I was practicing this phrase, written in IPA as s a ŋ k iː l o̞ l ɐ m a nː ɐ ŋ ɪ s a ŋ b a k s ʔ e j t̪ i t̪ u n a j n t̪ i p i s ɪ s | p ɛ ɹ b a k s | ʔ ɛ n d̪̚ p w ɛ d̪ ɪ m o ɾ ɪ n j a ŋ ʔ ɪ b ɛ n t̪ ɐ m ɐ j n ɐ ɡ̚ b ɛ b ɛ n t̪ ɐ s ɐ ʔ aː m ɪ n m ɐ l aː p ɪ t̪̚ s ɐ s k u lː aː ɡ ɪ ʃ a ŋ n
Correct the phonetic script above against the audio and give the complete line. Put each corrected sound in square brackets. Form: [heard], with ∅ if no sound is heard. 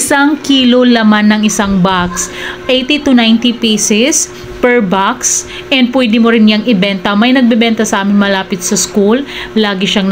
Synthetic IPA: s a ŋ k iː l o̞ l ɐ m a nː ɐ ŋ ɪ s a ŋ b a k s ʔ e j t̪ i t̪ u n a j n t̪ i p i s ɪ s | p ɛ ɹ b a k s | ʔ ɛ n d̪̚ p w ɛ d̪ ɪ m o ɾ ɪ n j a ŋ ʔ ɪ b ɛ n t̪ ɐ m ɐ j n ɐ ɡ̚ b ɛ b ɛ n t̪ ɐ s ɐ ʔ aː m ɪ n m ɐ l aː p ɪ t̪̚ s ɐ s k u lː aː ɡ ɪ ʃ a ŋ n

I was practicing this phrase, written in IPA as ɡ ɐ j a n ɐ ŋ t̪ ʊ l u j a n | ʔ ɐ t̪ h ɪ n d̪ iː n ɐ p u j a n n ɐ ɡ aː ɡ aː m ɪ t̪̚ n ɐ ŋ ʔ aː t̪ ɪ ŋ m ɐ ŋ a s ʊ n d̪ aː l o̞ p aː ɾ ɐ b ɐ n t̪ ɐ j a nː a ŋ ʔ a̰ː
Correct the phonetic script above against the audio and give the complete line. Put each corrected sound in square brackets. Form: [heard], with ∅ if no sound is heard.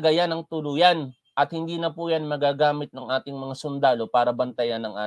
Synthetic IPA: ɡ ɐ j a n ɐ ŋ t̪ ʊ l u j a n | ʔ ɐ t̪ h ɪ n d̪ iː n ɐ p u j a n [m] ɐ ɡ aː ɡ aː m ɪ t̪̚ n ɐ ŋ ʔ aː t̪ ɪ ŋ m ɐ ŋ a s ʊ n d̪ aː l o̞ p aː ɾ ɐ b ɐ n t̪ ɐ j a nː [ɐ] ŋ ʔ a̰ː

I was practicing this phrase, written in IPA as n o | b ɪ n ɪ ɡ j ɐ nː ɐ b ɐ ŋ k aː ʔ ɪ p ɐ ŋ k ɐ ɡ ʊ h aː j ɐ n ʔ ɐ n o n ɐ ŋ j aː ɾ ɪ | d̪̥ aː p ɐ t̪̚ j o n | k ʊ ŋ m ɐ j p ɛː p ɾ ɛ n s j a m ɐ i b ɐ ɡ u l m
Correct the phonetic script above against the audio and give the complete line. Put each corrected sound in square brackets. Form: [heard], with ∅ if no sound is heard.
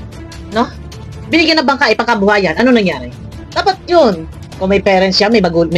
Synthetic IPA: n o | b ɪ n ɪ ɡ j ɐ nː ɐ b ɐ ŋ k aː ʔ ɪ p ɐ ŋ k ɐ [b] ʊ h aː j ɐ n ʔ ɐ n o n ɐ ŋ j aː ɾ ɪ | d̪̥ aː p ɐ t̪̚ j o n | k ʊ ŋ m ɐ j p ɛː [∅] ɾ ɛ n s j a m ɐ [j] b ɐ ɡ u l m

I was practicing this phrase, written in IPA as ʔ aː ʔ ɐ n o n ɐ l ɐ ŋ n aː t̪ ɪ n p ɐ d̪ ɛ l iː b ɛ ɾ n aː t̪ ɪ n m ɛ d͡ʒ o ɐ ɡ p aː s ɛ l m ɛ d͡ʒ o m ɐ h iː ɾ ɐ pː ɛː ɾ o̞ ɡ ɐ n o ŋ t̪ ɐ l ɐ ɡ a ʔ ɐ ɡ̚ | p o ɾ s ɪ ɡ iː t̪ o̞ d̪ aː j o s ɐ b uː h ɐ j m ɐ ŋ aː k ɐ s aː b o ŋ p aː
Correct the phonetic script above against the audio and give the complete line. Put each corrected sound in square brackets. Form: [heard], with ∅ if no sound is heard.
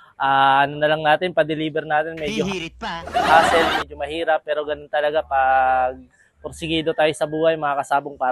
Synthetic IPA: ʔ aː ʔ ɐ n o n ɐ l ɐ ŋ n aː t̪ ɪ n p ɐ d̪ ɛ l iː b ɛ ɾ n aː t̪ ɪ n m ɛ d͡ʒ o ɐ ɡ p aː s ɛ l m ɛ d͡ʒ o m ɐ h iː ɾ ɐ pː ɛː ɾ o̞ ɡ ɐ n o [n] t̪ ɐ l ɐ ɡ a [p] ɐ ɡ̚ | p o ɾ s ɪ ɡ iː [d̪] o̞ [t̪] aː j o s ɐ b uː h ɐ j m ɐ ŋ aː k ɐ s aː b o ŋ p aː

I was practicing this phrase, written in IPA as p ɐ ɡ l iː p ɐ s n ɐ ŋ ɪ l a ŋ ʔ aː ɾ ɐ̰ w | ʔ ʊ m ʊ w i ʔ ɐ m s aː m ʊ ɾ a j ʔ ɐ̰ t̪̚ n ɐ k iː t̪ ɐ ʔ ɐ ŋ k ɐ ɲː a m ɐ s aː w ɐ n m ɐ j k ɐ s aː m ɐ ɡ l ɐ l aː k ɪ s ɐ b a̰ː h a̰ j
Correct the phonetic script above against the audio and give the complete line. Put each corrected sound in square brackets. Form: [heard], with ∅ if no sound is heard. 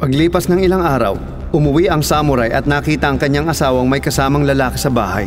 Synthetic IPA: p ɐ ɡ l iː p ɐ s n ɐ ŋ ɪ l a ŋ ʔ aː ɾ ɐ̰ w | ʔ ʊ m ʊ w i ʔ ɐ [ŋ] s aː m ʊ ɾ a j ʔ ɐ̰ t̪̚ n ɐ k iː t̪ ɐ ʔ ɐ ŋ k ɐ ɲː a [ŋ] ɐ s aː w ɐ [ŋ] m ɐ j k ɐ s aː m ɐ [ŋ] l ɐ l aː k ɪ s ɐ b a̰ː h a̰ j

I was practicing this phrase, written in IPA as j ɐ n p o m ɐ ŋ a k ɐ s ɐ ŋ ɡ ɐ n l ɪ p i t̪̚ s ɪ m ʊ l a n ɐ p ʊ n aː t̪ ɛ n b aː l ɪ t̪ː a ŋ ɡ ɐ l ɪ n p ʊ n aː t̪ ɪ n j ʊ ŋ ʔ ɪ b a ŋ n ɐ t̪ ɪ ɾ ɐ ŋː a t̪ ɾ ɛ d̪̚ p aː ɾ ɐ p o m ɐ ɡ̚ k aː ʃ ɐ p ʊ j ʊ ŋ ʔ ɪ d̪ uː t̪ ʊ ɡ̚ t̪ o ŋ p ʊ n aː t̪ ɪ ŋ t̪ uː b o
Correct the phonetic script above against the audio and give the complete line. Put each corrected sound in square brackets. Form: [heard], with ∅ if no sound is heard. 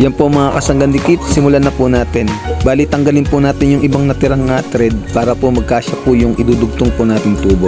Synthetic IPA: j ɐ n p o m ɐ ŋ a k ɐ s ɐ ŋ ɡ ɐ n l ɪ [k] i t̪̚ s ɪ m ʊ l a n ɐ p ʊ n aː t̪ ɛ n b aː l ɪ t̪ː [ɐ] ŋ ɡ ɐ l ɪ n p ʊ n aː t̪ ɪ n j ʊ ŋ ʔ ɪ b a ŋ n ɐ t̪ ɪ ɾ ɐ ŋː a t̪ ɾ ɛ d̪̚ p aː ɾ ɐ p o m ɐ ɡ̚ k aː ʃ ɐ p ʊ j ʊ ŋ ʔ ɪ d̪ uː [d̪] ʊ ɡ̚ t̪ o ŋ p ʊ n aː t̪ ɪ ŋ t̪ uː b o

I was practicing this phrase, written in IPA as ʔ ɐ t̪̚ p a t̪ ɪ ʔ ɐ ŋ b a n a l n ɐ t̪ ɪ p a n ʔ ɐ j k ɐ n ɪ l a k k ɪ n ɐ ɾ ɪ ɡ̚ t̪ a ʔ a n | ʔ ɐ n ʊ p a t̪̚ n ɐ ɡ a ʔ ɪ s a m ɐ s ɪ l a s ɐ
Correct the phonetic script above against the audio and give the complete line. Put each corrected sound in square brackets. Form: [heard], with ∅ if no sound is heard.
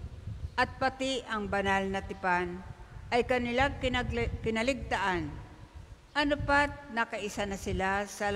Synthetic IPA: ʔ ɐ t̪̚ p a t̪ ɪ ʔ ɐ ŋ b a n a l n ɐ t̪ ɪ p a n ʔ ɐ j k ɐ n ɪ l a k k ɪ n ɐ [l] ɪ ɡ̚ t̪ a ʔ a n | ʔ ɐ n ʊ p a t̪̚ n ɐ [k] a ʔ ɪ s a [n] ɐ s ɪ l a s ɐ

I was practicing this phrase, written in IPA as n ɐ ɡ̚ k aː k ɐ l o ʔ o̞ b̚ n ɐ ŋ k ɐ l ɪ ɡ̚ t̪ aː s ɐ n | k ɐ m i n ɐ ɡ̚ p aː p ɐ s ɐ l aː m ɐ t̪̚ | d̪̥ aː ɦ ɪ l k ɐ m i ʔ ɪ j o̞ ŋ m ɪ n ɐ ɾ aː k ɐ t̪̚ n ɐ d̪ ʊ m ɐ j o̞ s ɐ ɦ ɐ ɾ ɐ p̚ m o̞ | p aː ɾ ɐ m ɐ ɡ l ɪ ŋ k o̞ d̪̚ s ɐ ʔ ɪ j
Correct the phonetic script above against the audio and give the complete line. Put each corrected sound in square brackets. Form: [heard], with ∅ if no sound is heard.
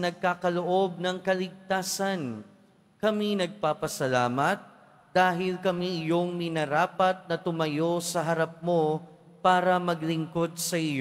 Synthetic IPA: n ɐ ɡ̚ k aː k ɐ l o ʔ o̞ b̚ n ɐ ŋ k ɐ l ɪ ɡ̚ t̪ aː s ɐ n | k ɐ m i n ɐ ɡ̚ p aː p ɐ s ɐ l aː m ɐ t̪̚ | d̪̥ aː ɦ ɪ l k ɐ m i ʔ ɪ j o̞ ŋ m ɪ n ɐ ɾ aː [p] ɐ t̪̚ n ɐ [t̪] ʊ m ɐ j o̞ s ɐ ɦ ɐ ɾ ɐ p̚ m o̞ | p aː ɾ ɐ m ɐ ɡ l ɪ ŋ k o̞ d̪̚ s ɐ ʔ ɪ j

